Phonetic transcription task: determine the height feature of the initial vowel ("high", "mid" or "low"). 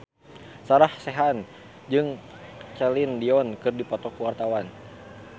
low